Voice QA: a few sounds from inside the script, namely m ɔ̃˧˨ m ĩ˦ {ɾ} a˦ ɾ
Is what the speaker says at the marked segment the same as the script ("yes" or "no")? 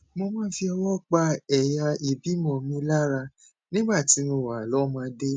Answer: no